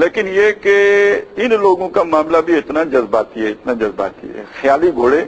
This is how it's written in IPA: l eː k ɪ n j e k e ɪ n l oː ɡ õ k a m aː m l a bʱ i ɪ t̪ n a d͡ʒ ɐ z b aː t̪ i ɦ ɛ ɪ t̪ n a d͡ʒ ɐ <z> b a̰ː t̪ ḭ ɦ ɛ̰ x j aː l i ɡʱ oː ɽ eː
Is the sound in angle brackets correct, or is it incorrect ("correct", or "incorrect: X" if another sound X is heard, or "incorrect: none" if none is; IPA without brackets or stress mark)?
correct